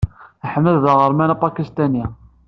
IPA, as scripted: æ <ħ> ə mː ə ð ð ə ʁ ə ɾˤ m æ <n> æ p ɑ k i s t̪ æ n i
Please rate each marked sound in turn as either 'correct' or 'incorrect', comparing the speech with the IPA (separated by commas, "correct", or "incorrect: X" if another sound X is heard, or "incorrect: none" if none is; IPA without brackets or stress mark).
correct, correct